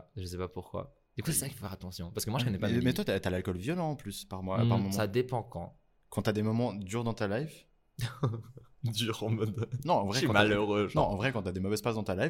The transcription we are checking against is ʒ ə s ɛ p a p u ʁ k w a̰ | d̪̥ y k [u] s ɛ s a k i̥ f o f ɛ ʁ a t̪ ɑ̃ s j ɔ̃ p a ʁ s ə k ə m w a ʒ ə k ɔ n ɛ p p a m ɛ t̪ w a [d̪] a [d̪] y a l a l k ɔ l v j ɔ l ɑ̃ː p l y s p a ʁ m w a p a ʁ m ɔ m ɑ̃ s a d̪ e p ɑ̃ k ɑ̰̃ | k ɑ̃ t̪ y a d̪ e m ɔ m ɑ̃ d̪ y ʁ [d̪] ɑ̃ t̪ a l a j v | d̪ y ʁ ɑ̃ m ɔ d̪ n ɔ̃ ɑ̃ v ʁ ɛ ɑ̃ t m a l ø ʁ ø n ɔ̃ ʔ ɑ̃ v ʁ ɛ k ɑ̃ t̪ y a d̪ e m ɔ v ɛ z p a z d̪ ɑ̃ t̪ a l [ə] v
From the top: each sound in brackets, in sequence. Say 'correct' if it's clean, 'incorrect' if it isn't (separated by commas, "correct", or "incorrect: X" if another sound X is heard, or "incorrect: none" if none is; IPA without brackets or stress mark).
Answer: correct, incorrect: t̪, incorrect: t̪, correct, incorrect: a